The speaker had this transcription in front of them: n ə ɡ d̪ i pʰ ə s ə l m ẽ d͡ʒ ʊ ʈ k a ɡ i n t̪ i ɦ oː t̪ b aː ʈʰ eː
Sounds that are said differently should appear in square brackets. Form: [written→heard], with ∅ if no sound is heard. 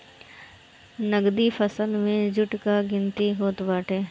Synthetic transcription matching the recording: n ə ɡ d̪ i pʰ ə s ə l m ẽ d͡ʒ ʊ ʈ k a ɡ [i→ɪ] n t̪ i ɦ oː t̪ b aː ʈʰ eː